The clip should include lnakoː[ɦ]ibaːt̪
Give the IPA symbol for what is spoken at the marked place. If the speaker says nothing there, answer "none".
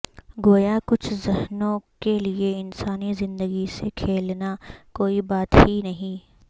none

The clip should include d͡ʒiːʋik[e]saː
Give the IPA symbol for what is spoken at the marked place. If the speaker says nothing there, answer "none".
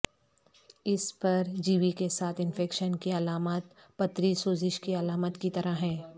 e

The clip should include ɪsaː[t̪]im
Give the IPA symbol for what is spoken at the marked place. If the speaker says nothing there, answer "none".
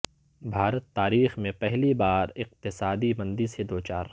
d̪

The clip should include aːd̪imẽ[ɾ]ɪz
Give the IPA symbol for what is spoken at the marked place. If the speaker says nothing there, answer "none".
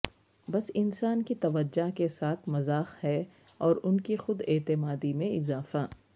none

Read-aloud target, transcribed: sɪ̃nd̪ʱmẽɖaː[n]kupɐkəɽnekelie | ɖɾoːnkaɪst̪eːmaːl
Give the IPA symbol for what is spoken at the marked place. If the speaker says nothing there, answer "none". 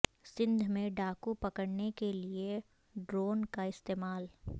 none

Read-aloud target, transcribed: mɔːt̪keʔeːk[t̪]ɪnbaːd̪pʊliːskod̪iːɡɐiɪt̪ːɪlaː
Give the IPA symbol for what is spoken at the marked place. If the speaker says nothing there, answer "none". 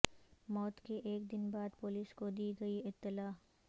d̪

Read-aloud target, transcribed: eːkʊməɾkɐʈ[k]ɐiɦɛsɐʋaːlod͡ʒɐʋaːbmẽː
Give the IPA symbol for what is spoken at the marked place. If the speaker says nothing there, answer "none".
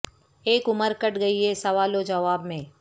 ɡ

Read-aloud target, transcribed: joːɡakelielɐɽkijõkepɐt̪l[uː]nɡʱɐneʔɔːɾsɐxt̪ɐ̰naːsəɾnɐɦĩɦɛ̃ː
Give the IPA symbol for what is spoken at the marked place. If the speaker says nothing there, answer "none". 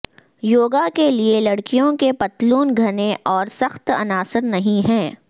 uː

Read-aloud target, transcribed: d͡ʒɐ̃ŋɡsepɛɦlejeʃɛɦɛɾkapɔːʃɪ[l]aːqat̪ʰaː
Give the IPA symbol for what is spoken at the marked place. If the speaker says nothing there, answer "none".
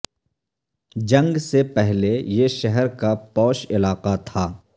l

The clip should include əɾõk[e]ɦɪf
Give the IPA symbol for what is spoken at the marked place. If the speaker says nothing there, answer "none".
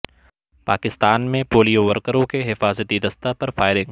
e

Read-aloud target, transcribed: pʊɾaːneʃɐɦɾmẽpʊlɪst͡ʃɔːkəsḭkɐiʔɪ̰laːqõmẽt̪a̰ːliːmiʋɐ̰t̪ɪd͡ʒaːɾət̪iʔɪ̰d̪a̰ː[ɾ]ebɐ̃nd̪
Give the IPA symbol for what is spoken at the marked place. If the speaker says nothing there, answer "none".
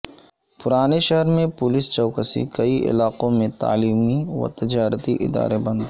ɾ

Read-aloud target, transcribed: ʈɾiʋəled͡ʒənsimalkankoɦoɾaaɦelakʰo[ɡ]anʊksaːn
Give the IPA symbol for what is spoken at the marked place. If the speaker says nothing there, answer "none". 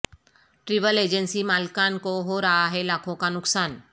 k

